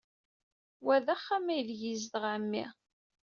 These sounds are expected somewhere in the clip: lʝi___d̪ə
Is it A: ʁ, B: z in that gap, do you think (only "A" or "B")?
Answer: B